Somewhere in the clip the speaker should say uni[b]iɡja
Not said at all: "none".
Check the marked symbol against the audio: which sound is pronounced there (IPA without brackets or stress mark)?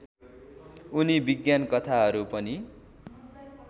b